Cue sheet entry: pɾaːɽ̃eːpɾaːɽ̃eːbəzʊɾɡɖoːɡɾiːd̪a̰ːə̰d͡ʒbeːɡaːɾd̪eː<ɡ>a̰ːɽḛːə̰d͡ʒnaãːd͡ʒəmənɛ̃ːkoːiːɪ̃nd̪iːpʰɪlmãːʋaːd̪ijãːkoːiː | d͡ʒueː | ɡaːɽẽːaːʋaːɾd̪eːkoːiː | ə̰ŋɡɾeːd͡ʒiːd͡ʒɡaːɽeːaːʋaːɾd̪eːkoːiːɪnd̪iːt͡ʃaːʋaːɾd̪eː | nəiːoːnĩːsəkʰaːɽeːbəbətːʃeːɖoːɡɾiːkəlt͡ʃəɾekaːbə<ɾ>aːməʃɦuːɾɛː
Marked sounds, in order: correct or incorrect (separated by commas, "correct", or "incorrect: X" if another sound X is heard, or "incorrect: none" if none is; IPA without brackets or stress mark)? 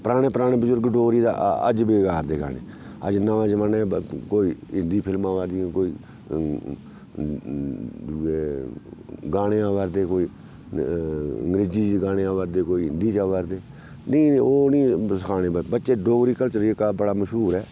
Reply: correct, incorrect: ɽ